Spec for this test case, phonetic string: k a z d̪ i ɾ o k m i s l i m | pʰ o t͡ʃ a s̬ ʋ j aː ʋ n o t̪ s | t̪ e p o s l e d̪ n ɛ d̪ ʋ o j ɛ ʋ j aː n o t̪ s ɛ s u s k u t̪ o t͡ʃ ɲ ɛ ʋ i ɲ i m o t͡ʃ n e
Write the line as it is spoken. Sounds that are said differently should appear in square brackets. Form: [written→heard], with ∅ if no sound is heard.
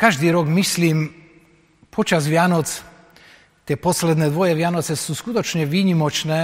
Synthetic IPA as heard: k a [z→ʒ] d̪ i ɾ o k m i s l i m | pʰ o t͡ʃ a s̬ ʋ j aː [ʋ→∅] n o t̪ s | t̪ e p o s l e d̪ n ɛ d̪ ʋ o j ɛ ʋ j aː n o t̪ s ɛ s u s k u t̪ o t͡ʃ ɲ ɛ ʋ i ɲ i m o t͡ʃ n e